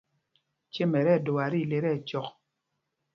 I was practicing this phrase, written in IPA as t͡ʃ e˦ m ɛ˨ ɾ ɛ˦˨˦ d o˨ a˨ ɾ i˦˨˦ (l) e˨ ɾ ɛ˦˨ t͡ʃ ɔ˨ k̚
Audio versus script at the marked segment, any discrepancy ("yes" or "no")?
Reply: no